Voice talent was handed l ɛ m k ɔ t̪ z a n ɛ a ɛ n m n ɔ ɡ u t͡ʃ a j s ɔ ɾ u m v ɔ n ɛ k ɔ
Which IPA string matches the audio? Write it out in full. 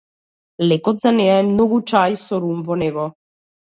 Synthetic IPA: l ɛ k ɔ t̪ z a n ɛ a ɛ m n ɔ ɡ u t͡ʃ a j s ɔ ɾ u m v ɔ n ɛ ɡ ɔ